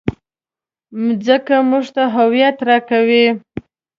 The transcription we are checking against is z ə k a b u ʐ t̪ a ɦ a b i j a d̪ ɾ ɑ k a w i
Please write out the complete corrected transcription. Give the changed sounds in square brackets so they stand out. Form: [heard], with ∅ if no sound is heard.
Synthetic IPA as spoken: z ə k a [m] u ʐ t̪ a ɦ a [w] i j a [t̪] ɾ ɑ k a w i